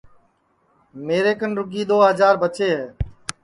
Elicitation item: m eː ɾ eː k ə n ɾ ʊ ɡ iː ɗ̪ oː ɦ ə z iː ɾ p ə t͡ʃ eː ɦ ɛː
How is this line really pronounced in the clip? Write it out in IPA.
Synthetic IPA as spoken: m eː ɾ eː k ə n ɾ ʊ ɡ iː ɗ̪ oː ɦ ə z aː ɾ b ə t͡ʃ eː ɦ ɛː